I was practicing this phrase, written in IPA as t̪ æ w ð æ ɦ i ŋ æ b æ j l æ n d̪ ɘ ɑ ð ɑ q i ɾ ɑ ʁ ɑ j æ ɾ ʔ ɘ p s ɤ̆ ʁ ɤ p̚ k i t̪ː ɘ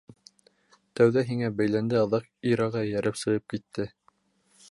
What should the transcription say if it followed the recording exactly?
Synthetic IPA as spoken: t̪ æ w ð æ ɦ i ŋ æ b æ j l æ n d̪ ɘ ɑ ð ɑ q i ɾ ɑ ʁ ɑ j æ ɾ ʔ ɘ p s ɤ̆ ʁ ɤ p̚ k i t̪ː ɘ